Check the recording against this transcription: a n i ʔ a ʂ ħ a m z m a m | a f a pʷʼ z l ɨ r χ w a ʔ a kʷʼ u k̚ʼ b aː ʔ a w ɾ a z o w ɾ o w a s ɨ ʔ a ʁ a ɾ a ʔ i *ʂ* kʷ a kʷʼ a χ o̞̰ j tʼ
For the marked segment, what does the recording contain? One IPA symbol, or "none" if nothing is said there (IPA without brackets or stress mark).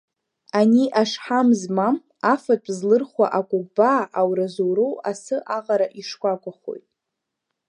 ʂ